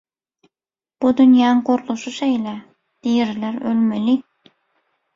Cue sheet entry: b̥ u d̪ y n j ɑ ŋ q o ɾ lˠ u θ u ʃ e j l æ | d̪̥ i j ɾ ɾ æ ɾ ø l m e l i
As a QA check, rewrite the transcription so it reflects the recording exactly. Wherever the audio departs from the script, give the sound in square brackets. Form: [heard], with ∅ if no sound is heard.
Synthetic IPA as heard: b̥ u d̪ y n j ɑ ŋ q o ɾ lˠ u [ʃ] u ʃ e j l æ | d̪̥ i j ɾ [l] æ ɾ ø l m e l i